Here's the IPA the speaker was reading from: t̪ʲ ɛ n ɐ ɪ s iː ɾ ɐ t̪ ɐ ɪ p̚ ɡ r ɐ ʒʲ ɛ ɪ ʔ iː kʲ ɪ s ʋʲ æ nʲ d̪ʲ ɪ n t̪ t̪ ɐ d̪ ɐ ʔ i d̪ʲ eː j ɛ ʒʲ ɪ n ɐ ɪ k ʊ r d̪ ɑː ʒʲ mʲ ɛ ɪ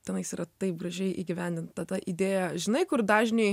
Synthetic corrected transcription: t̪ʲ ɛ n ɐ ɪ s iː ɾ ɐ t̪ ɐ ɪ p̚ ɡ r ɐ ʒʲ ɛ ɪ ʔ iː ɡʲ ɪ ʋʲ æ nʲ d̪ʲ ɪ n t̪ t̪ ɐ d̪ ɐ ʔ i d̪ʲ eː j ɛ ʒʲ ɪ n ɐ ɪ k ʊ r d̪ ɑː ʒʲ nʲ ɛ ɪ